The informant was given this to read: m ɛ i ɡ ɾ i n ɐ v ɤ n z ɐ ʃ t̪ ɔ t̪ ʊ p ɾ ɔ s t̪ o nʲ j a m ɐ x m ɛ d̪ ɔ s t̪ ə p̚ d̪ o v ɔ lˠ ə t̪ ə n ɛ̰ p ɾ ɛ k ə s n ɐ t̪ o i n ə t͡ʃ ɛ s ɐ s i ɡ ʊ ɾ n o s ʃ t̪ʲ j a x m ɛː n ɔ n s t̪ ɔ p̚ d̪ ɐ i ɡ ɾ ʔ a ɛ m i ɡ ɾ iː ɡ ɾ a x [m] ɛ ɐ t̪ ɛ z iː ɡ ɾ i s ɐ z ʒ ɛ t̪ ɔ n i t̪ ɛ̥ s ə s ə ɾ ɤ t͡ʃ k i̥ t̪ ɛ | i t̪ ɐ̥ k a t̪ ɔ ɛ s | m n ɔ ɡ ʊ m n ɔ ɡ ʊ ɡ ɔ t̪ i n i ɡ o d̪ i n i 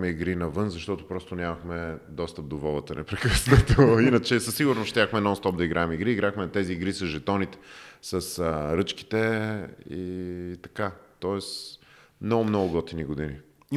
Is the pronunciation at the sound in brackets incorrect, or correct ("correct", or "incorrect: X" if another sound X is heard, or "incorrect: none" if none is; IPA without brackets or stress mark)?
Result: correct